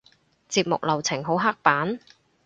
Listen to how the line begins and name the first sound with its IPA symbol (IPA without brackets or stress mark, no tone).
t͡s